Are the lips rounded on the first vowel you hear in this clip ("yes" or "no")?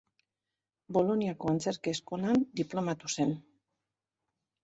yes